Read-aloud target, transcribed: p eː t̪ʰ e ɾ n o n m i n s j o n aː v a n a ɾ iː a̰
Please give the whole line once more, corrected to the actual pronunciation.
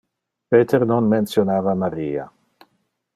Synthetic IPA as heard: p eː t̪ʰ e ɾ n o n m e n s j o n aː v a m a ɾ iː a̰